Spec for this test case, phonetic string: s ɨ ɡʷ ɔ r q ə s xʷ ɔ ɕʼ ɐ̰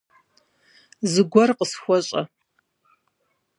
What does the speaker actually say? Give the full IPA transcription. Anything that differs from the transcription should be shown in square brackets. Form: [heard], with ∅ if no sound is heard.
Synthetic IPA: [z] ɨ ɡʷ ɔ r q ə s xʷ ɔ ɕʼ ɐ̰